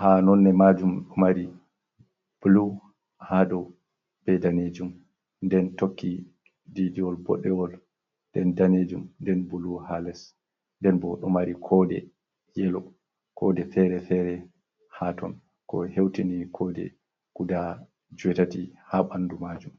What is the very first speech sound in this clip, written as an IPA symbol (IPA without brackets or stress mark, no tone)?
h